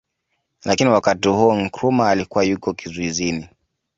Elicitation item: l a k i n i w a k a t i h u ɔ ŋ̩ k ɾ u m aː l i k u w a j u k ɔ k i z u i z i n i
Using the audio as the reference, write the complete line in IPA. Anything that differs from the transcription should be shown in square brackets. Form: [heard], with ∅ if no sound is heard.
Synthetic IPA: l a k i n i w a k a t i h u ɔ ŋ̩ k ɾ u m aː l i k u w a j u k ɔ k i z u i z i n i